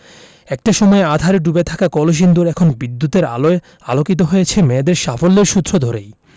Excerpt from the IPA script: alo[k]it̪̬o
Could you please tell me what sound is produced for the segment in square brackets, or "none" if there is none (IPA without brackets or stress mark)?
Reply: k